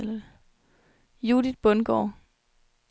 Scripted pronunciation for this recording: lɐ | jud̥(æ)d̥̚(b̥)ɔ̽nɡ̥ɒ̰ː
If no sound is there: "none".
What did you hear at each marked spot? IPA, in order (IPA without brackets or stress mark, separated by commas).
i, b̥